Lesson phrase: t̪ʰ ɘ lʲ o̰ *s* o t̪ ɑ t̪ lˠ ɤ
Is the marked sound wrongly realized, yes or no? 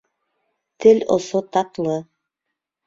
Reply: no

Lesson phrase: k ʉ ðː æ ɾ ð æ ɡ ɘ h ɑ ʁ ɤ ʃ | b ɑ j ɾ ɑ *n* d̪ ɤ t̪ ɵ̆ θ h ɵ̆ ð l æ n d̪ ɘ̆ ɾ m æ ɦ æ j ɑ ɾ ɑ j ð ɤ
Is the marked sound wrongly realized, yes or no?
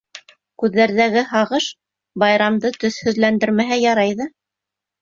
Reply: yes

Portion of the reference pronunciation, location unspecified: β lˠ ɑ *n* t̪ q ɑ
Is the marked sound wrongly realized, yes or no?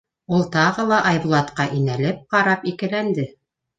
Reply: yes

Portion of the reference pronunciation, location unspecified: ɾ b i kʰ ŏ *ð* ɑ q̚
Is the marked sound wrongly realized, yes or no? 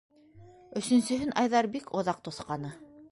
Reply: no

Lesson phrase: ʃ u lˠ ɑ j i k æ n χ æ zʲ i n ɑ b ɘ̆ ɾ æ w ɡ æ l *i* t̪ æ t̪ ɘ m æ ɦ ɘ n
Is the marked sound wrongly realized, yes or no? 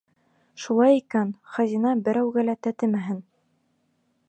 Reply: yes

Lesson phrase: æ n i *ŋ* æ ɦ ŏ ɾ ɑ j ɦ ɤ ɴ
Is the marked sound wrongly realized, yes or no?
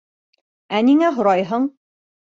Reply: no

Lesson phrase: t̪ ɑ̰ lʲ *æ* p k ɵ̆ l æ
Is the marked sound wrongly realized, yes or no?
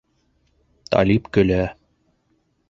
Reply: yes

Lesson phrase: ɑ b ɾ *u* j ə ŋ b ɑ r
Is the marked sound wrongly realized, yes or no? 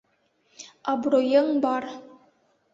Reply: yes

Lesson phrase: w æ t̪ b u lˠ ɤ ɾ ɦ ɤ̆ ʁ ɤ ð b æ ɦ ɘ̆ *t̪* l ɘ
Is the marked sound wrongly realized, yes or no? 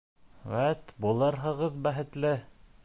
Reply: no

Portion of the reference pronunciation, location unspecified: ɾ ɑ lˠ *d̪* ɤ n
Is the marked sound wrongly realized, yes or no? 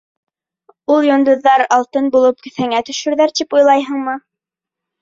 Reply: yes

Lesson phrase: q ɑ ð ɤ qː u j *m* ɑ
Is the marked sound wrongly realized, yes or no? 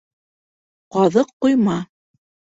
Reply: no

